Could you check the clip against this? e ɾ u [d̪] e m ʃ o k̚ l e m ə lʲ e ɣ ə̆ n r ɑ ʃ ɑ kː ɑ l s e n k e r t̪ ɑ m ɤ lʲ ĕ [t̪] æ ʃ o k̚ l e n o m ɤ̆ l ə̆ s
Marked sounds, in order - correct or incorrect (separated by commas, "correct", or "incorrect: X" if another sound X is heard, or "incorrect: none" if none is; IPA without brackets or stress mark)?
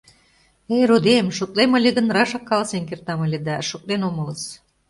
correct, incorrect: d̪